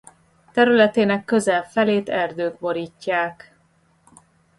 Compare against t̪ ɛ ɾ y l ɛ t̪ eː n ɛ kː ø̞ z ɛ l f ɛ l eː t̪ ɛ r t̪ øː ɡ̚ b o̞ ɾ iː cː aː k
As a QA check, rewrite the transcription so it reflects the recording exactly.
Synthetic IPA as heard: t̪ ɛ ɾ y l ɛ t̪ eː n ɛ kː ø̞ z ɛ l f ɛ l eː t̪ ɛ r d̪ øː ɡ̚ b o̞ ɾ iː cː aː k